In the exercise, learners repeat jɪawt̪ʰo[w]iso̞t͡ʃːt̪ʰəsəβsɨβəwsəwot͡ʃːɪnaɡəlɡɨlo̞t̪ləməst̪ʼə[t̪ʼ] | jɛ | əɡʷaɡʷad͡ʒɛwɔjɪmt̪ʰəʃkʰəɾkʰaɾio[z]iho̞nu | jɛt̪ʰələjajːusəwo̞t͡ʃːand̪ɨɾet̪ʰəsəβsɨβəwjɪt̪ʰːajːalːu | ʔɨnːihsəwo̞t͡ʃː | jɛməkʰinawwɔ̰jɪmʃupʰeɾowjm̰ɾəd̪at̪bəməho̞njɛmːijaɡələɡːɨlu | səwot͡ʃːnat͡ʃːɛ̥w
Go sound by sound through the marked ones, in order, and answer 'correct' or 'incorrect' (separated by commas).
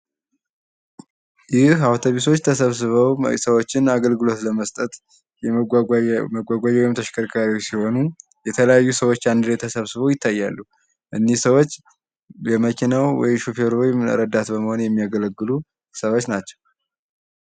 incorrect, incorrect, incorrect